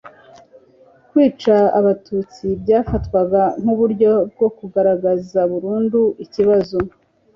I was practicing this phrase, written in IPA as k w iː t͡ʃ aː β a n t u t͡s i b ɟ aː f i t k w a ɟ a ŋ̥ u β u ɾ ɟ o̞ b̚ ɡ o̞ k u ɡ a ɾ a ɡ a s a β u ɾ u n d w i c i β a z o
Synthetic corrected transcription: k w iː t͡ʃ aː β a t u t͡s i b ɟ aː f a t k w a ɡ a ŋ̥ u β u ɾ ɟ o̞ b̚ ɡ o̞ k u ɡ a ɾ a ɡ a z a β u ɾ uː n d u i c i β a z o